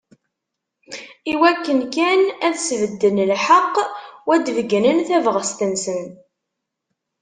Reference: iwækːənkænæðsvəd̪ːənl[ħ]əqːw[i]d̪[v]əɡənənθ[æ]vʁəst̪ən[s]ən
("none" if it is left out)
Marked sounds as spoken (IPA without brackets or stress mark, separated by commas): ħ, æ, v, æ, s